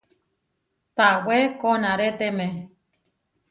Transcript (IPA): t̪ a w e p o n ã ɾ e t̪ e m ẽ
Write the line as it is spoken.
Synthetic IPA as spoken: t̪ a w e k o n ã ɾ e t̪ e m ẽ